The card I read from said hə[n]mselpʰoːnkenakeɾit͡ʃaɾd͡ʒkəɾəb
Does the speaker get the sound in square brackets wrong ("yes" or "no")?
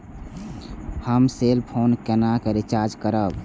yes